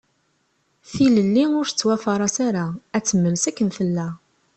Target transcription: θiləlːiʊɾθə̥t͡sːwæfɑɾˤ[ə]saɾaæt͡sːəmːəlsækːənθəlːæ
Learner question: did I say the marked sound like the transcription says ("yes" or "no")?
no